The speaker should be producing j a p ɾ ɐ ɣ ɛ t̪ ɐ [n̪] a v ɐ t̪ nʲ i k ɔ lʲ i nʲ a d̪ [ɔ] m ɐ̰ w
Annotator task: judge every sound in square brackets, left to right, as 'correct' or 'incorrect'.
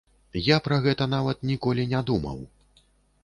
correct, incorrect

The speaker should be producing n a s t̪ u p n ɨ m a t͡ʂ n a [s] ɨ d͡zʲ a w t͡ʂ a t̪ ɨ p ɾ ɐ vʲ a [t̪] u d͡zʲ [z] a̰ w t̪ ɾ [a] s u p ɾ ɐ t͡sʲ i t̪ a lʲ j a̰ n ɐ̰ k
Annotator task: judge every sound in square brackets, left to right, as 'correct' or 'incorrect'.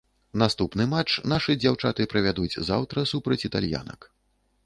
incorrect, incorrect, correct, incorrect

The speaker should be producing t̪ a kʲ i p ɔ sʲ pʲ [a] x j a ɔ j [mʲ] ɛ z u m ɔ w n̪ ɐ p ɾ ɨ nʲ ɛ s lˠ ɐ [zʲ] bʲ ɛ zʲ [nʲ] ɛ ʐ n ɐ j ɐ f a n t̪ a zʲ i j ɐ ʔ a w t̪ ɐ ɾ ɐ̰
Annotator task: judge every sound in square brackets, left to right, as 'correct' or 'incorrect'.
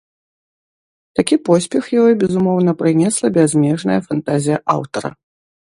incorrect, incorrect, incorrect, incorrect

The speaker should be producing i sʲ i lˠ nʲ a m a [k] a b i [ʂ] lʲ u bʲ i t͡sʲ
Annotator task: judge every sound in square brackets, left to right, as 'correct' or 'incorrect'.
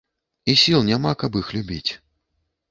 correct, incorrect

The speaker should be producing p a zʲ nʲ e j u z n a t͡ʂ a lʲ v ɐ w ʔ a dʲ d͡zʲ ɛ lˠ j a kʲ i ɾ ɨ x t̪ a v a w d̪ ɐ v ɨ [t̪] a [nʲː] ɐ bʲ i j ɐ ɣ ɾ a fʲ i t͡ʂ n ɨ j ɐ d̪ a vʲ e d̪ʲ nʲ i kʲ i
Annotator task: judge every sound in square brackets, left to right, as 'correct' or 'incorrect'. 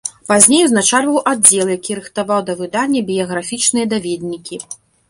incorrect, correct

